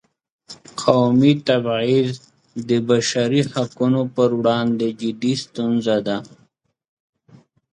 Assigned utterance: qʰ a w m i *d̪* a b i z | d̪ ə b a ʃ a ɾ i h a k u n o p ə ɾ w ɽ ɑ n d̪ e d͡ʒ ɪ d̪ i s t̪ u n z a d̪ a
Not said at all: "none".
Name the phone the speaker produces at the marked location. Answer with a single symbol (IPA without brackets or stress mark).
t̪